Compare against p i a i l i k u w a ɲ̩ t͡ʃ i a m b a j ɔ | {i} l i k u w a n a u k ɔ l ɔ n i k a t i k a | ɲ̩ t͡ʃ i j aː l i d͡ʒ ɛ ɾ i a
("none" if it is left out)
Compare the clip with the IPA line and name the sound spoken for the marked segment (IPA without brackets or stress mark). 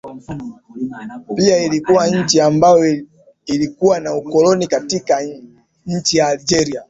i